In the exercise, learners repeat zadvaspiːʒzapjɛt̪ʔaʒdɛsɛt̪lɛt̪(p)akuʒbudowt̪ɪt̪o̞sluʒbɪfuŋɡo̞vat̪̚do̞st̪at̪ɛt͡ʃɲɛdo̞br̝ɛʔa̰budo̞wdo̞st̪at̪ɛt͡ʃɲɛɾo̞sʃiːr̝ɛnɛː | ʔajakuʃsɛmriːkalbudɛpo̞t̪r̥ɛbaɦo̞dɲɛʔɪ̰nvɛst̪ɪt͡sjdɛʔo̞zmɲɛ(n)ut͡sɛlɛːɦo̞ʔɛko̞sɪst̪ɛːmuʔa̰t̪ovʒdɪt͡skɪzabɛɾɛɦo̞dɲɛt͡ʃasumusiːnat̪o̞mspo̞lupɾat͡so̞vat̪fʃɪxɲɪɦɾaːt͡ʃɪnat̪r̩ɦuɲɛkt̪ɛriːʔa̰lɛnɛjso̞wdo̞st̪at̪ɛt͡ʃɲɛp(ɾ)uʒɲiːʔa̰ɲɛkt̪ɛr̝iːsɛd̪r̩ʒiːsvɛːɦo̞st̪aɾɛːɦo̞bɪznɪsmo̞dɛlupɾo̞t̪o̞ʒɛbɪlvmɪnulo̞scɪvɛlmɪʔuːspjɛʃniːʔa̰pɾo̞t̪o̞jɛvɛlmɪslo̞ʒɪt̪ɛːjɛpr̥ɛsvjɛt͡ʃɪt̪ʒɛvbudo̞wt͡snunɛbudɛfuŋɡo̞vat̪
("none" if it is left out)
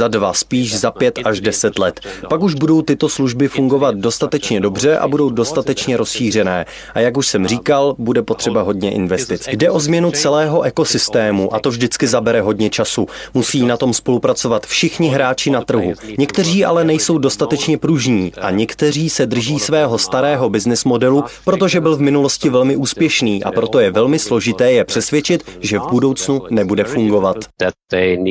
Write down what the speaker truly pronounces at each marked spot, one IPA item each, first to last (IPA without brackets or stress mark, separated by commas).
p, n, ɾ